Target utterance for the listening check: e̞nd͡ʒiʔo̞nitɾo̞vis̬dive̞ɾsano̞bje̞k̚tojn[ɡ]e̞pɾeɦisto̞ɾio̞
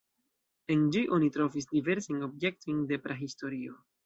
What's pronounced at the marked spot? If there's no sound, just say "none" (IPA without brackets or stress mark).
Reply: d